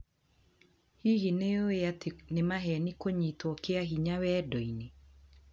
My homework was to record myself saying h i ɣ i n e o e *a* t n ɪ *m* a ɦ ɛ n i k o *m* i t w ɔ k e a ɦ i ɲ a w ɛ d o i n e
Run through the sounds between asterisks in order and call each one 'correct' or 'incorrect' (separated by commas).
correct, correct, incorrect